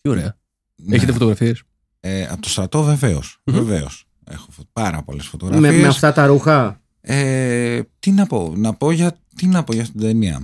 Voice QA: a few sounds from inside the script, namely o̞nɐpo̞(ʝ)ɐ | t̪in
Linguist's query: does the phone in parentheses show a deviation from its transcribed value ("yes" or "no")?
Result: no